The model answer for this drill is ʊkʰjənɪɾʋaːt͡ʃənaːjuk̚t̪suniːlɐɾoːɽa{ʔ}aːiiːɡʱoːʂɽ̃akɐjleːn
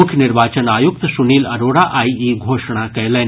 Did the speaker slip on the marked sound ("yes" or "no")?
no